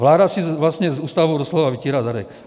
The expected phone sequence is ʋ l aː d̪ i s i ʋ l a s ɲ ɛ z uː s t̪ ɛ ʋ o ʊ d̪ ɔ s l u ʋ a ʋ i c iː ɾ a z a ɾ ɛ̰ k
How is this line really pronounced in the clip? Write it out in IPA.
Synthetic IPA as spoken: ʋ l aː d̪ a s i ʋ l a s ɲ ɛ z uː s t̪ a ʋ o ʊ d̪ ɔ s l ɔ ʋ a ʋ i c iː ɾ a z a ɾ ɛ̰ k